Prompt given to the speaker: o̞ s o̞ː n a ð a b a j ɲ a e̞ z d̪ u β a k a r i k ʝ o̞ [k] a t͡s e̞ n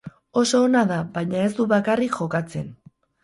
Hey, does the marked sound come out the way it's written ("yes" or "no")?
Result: yes